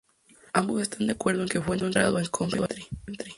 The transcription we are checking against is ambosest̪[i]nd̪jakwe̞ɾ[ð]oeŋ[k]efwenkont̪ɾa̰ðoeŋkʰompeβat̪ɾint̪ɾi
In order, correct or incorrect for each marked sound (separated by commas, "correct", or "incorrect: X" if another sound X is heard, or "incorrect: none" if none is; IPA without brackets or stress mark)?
incorrect: a, correct, correct